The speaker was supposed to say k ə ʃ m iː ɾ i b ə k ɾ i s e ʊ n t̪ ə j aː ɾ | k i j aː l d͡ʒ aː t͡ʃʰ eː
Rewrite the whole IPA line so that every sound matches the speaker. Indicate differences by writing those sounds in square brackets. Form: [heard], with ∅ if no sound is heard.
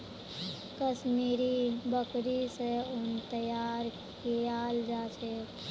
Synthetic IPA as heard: k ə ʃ m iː ɾ i b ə k ɾ i s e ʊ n t̪ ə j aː ɾ | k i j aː l d͡ʒ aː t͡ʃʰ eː